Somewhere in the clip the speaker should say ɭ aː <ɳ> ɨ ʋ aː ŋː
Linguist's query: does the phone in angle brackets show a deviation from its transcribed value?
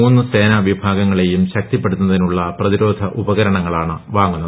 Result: no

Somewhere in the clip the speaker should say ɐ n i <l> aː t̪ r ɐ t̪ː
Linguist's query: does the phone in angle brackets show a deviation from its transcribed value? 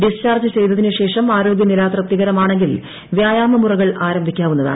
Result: no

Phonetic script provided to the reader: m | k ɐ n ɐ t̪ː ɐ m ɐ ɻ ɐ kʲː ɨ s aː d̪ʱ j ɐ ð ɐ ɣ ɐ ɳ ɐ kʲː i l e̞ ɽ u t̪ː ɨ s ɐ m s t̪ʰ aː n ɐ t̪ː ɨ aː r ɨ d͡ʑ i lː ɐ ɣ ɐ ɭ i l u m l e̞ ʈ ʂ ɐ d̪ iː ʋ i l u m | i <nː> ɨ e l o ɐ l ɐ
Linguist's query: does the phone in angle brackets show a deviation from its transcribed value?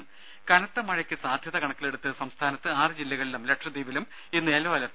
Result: no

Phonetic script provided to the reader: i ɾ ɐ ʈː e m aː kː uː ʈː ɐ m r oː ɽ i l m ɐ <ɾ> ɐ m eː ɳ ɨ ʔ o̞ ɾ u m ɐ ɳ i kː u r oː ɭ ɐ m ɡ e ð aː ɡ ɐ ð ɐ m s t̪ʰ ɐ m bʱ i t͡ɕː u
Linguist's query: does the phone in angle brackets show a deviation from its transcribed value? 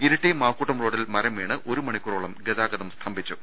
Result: no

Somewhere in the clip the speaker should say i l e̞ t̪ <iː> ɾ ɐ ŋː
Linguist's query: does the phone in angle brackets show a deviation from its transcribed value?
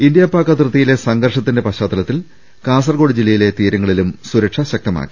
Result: no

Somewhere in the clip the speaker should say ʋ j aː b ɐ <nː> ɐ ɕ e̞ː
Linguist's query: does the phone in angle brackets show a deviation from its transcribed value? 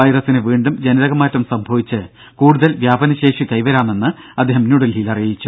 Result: yes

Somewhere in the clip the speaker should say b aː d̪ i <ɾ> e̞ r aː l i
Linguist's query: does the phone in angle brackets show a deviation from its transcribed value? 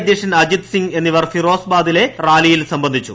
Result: yes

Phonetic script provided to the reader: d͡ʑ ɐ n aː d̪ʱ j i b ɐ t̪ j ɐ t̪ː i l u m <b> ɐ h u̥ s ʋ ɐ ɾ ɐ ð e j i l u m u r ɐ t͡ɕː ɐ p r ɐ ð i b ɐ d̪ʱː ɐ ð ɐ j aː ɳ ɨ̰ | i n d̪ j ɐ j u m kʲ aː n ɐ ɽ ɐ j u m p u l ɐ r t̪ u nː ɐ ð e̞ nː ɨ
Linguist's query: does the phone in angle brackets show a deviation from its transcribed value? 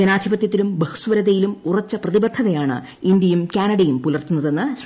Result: no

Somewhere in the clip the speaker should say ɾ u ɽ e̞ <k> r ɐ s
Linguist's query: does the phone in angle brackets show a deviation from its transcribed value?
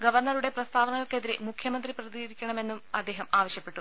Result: yes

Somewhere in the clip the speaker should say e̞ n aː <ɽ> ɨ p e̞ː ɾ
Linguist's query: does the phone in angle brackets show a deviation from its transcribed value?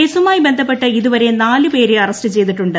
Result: yes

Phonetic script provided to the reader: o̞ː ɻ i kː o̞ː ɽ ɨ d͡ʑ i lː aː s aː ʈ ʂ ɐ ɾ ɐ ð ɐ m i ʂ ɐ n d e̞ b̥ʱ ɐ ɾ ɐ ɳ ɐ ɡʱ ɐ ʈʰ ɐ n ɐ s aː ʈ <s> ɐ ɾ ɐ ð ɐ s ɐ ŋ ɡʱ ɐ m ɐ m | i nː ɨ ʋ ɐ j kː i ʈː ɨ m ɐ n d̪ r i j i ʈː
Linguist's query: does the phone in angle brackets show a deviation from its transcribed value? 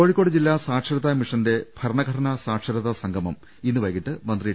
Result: yes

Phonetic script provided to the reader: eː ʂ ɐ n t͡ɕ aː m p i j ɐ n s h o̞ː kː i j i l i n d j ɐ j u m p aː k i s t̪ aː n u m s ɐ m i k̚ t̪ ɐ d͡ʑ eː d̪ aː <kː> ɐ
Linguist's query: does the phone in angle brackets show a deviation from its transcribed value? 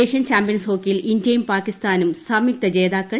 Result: no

